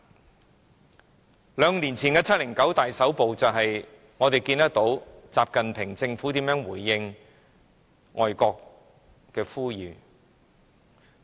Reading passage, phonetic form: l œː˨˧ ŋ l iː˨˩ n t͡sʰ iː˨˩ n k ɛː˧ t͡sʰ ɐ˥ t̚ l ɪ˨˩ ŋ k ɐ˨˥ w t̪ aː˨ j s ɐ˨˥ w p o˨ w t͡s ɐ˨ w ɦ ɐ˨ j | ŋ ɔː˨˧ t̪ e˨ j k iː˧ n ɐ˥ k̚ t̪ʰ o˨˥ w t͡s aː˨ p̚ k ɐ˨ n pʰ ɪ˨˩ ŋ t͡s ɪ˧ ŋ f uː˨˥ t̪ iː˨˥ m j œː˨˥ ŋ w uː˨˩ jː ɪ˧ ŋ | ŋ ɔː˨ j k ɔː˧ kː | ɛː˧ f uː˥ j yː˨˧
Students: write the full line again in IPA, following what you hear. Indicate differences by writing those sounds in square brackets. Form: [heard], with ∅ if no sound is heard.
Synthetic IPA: l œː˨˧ ŋ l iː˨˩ n t͡sʰ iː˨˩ n k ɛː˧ t͡sʰ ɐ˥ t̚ l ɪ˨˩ ŋ k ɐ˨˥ w t̪ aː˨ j s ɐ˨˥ w p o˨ w t͡s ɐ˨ w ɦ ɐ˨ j | ŋ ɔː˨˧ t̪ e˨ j k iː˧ n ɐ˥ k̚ [t̪] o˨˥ w t͡s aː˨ p̚ k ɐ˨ n pʰ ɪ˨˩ ŋ t͡s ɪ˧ ŋ f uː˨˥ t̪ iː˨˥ m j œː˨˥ ŋ w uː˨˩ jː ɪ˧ ŋ | ŋ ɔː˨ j k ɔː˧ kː | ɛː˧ f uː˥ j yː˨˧

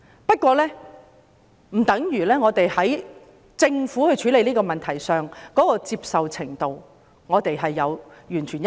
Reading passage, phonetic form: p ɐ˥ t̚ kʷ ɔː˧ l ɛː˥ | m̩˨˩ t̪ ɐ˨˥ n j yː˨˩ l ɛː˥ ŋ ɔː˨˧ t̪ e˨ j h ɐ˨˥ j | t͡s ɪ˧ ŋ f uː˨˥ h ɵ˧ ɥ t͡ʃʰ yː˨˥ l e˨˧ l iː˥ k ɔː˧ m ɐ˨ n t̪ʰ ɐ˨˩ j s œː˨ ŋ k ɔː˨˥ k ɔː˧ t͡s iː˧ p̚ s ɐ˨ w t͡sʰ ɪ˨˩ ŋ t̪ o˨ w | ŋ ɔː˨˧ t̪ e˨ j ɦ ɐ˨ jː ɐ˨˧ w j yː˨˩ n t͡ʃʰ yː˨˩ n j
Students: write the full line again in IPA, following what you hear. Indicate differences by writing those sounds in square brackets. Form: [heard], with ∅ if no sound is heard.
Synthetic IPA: p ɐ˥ t̚ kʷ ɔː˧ l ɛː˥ | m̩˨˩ t̪ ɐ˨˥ [ŋ] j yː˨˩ l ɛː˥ ŋ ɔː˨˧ t̪ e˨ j h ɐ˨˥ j | t͡s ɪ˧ ŋ f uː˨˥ h ɵ˧ ɥ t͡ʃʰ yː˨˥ l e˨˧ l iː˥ k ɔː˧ m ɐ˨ n t̪ʰ ɐ˨˩ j s œː˨ ŋ k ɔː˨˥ k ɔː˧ t͡s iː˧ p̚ s ɐ˨ w t͡sʰ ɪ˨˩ ŋ t̪ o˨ w | ŋ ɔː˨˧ t̪ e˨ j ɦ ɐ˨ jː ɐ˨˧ w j yː˨˩ n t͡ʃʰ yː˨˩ n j

